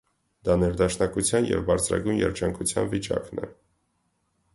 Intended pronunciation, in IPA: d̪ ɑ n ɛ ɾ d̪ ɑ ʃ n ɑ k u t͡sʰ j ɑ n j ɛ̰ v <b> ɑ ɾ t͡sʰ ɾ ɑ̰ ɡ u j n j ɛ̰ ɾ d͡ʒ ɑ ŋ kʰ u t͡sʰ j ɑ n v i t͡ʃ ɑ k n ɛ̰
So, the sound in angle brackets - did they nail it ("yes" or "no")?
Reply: yes